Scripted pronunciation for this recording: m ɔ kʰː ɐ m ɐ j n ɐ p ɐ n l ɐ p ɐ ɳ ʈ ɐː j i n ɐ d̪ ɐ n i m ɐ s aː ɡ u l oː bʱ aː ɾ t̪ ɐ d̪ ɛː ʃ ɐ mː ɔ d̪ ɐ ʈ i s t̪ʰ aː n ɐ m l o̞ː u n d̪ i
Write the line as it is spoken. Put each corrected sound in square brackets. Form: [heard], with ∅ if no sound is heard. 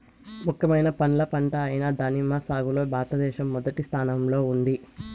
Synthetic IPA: m [u] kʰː ɐ m ɐ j n ɐ p ɐ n l ɐ p ɐ ɳ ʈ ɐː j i n ɐ d̪ ɐ n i m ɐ s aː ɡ u l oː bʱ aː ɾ t̪ ɐ d̪ ɛː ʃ ɐ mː ɔ d̪ ɐ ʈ i s t̪ʰ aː n ɐ m l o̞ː u n d̪ i